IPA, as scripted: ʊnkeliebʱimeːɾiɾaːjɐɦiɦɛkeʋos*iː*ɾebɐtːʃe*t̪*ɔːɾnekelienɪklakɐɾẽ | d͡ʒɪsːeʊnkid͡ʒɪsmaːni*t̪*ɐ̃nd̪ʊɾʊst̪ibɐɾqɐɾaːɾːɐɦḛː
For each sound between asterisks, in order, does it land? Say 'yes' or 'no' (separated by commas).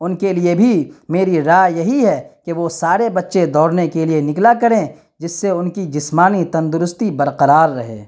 no, no, yes